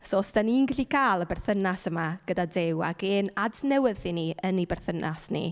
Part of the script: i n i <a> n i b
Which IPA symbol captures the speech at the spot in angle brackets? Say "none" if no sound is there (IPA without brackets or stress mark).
ə